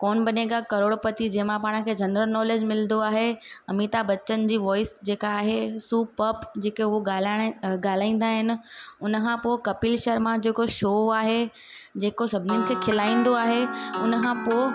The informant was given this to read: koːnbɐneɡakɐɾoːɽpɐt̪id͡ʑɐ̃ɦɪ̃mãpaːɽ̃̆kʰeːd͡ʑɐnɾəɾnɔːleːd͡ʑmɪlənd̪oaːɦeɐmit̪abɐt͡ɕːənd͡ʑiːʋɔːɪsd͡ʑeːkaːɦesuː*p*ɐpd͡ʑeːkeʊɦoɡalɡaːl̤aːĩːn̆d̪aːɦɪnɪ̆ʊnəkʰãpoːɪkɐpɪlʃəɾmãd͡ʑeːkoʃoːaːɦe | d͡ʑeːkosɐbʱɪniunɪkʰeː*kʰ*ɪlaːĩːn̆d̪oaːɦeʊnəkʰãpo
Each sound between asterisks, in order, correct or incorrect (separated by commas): correct, correct